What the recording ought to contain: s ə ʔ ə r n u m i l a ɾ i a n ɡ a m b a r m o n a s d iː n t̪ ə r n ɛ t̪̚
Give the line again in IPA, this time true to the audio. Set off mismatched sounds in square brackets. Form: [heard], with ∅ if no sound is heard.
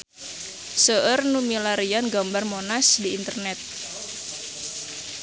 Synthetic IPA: s ə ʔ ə r n u m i l a ɾ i a n ɡ a m b a r m o n a s d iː n t̪ ə r n ɛ t̪̚